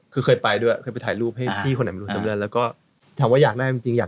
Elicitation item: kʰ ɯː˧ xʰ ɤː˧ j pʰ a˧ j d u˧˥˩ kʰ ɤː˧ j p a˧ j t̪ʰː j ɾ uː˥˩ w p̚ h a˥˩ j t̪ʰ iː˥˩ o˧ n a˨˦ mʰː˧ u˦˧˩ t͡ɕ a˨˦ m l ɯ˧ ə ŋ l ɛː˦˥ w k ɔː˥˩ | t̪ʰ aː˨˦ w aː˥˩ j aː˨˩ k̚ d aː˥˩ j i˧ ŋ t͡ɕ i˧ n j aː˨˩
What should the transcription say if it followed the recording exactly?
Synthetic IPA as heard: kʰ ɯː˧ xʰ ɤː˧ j p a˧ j d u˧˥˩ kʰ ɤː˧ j p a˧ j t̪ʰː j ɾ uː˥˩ p̚ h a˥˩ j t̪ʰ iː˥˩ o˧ n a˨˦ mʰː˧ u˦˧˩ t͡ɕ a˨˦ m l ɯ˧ ə n l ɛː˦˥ w k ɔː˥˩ | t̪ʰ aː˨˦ w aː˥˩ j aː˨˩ k̚ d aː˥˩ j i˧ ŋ t͡ɕ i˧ ŋ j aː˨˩

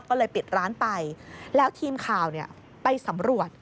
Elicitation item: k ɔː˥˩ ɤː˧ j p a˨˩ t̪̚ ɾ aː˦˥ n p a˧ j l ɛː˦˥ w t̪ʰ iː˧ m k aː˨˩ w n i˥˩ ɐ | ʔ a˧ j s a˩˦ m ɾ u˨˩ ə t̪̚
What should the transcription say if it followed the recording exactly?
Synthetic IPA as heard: k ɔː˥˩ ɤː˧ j p i˨˩ t̪̚ ɾ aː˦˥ n p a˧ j l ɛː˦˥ w t̪ʰ iː˧ m kʰ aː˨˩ w n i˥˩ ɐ | p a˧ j s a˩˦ m ɾ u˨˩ ə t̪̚

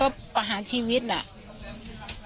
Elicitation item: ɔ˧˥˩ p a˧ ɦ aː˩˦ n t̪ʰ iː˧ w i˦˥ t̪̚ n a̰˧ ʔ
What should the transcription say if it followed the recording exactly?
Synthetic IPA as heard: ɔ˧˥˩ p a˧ ɦ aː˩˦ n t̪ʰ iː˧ w i˦˥ t̪̚ n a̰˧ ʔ

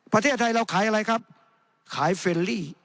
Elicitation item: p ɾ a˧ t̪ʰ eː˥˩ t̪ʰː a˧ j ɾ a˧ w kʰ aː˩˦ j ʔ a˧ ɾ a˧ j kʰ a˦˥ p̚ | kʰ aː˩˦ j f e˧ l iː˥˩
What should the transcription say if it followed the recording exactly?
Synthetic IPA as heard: p ɾ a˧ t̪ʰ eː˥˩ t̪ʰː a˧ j ɾ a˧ w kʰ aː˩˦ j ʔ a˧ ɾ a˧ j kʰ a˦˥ p̚ | kʰ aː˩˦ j f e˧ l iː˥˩

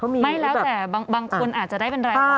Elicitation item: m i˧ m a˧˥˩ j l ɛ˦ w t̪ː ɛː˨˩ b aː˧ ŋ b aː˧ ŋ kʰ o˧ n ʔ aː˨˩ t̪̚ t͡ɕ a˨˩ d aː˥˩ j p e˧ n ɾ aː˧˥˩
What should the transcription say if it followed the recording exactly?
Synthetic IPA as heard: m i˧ m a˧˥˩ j l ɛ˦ w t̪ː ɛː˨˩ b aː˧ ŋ b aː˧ ŋ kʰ o˧ n ʔ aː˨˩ t̪̚ t͡ɕ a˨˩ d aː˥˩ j p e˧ n ɾ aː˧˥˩

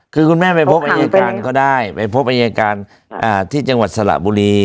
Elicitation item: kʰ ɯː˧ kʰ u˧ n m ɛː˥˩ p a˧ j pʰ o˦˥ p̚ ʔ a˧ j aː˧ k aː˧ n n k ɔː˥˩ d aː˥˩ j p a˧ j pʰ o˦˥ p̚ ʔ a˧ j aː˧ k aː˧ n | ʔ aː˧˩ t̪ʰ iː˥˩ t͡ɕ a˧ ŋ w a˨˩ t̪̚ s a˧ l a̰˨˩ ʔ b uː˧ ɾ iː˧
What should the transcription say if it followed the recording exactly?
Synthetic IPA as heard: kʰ ɯː˧ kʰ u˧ n m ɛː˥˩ p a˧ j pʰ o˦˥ p̚ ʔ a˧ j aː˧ k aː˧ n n k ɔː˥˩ d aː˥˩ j p a˧ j pʰ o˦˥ p̚ ʔ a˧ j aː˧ k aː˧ n | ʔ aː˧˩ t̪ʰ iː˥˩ t͡ɕ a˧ ŋ w a˨˩ t̪̚ s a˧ l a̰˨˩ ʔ b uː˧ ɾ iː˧

